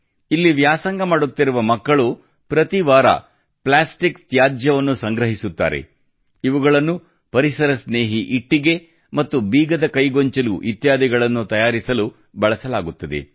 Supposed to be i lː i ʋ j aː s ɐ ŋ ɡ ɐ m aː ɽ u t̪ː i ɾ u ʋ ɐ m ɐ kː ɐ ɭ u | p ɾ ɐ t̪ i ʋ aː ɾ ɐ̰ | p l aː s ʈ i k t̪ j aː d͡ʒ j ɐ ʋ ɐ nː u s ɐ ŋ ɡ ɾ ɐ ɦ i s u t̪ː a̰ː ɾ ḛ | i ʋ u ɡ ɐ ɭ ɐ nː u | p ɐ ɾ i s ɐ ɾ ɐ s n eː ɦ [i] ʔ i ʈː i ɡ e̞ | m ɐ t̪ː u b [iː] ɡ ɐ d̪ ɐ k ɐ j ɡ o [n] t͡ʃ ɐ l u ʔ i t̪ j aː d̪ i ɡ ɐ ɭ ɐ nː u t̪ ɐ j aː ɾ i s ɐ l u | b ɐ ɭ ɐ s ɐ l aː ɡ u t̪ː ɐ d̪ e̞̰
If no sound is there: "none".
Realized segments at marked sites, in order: i, iː, ɲ

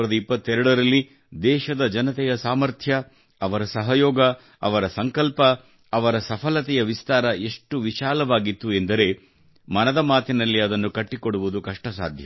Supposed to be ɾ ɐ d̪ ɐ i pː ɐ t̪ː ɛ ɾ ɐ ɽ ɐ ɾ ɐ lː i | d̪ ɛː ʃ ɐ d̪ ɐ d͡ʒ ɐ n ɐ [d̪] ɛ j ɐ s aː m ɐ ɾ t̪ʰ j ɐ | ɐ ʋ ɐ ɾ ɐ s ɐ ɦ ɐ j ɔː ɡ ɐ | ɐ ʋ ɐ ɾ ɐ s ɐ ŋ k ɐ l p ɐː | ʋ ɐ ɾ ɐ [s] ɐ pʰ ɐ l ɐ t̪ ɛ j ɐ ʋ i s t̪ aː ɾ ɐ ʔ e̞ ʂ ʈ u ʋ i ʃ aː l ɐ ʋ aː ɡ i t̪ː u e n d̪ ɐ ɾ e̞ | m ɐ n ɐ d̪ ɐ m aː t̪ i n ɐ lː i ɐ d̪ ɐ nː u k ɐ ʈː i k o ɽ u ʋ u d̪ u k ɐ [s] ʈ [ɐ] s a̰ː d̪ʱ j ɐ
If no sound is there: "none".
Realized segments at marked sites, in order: t̪, s, ʂ, ɐ

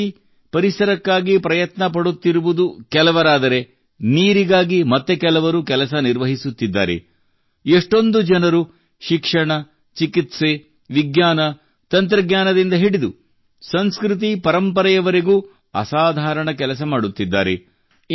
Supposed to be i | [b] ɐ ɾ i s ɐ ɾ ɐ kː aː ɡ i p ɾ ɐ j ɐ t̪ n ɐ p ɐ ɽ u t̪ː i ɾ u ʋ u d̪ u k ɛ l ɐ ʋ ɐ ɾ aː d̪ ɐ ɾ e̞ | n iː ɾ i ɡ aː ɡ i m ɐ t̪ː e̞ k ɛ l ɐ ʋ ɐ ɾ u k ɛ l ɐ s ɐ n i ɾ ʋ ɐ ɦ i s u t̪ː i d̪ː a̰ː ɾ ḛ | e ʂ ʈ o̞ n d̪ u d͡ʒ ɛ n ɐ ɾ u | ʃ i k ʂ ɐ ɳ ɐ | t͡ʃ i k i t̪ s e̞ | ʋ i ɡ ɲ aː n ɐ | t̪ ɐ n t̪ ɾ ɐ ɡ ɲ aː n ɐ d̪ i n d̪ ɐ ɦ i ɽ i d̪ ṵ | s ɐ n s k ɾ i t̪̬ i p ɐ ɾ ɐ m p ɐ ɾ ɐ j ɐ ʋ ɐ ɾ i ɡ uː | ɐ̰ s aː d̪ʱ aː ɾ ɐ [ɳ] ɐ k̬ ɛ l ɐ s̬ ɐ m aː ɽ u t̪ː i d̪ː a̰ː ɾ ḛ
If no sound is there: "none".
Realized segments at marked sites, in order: p, ɳ

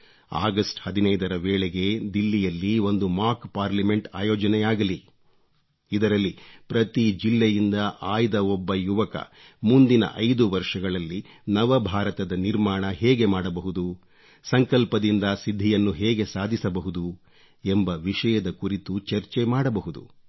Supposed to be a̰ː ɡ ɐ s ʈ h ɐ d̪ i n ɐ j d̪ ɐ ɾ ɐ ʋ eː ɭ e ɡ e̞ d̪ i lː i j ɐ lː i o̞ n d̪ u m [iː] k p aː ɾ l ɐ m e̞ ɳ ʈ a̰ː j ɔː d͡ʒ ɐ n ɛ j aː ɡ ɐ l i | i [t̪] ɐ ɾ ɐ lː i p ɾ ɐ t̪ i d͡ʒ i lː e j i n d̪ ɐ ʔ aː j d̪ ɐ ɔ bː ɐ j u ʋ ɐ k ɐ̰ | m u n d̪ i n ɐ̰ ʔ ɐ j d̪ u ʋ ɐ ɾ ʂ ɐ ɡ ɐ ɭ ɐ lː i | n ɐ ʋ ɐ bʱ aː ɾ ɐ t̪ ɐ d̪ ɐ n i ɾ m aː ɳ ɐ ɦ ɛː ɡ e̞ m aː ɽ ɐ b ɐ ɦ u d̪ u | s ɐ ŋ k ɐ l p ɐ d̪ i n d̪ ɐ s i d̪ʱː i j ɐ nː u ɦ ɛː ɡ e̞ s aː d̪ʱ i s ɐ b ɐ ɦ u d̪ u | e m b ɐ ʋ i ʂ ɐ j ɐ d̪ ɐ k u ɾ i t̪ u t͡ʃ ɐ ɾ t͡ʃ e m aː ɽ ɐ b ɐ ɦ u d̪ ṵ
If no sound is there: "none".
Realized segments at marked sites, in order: aː, d̪

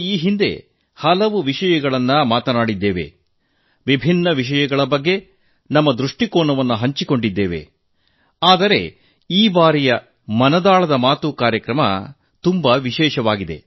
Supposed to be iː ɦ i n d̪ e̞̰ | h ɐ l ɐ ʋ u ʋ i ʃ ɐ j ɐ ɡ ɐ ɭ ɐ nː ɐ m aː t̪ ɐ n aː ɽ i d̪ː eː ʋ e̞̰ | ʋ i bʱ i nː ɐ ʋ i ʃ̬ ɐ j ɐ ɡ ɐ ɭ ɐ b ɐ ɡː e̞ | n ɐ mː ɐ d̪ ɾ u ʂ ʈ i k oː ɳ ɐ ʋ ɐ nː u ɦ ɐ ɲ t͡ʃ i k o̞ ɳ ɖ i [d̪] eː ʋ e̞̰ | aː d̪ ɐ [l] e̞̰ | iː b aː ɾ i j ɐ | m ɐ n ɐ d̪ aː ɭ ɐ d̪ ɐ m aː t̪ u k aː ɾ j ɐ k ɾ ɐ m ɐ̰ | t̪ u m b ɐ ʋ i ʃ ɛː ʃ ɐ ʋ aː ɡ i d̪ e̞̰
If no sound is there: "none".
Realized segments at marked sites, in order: d̪ː, ɾ

